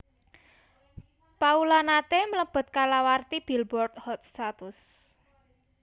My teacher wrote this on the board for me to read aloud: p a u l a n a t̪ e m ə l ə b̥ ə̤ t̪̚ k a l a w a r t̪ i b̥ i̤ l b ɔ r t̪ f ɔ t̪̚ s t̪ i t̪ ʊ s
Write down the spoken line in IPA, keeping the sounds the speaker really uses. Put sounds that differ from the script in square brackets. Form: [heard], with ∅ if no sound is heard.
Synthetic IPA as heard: p a u l a n a t̪ e m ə l ə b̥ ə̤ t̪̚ k a l a w a r t̪ i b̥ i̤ l b ɔ r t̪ [h] ɔ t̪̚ s t̪ [a] t̪ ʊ s